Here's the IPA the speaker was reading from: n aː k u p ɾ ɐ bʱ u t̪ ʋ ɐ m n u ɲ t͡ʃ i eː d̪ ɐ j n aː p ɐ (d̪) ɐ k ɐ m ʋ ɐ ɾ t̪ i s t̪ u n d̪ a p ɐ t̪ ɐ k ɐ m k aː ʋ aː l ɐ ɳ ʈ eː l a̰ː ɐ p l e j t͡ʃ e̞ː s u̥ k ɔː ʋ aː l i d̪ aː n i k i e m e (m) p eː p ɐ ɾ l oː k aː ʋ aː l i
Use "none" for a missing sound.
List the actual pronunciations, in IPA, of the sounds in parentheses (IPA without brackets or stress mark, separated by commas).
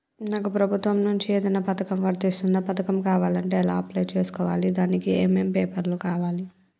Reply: t̪, m